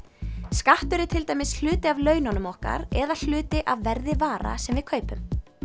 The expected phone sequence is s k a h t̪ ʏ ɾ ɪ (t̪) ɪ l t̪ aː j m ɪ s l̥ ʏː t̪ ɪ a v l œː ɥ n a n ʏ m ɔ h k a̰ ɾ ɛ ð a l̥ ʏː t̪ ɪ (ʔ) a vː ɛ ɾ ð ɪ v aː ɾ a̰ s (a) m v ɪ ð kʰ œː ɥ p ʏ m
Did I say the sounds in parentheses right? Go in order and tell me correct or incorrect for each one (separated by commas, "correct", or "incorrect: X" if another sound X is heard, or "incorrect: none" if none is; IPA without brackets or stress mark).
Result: incorrect: t̪ʰ, correct, incorrect: ɛ